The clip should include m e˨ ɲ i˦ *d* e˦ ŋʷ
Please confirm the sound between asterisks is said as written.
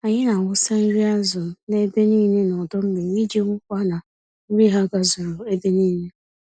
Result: no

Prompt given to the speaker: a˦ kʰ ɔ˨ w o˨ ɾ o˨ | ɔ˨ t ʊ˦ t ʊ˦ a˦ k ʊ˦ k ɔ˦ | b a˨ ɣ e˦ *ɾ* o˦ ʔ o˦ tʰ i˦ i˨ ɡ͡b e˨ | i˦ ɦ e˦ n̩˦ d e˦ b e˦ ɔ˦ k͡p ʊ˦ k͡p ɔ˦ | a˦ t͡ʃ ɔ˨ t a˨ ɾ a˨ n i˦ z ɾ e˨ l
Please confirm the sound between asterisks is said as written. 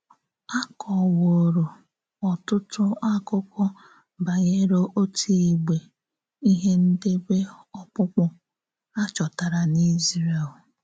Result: yes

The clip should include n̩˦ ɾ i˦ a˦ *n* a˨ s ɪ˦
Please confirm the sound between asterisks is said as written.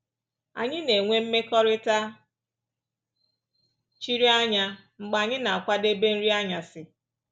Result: no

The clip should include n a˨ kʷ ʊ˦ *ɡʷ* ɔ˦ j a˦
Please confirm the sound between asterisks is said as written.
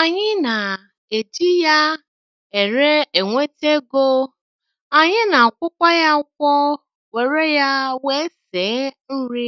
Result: no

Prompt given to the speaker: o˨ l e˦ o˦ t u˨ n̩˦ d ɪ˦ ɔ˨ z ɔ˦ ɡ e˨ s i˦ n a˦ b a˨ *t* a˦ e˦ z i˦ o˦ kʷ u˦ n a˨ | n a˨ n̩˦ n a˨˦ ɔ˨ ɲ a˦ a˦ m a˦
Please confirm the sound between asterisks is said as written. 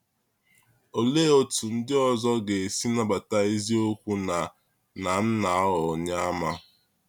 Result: yes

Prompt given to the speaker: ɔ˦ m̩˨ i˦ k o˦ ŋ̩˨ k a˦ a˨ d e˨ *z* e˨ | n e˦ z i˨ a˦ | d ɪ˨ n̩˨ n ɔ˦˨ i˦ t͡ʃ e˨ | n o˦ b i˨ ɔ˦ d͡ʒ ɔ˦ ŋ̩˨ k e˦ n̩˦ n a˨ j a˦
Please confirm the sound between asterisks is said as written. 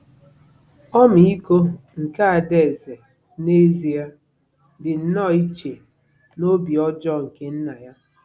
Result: yes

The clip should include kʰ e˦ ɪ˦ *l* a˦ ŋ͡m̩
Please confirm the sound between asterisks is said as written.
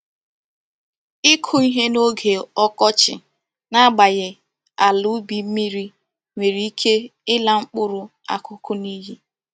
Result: yes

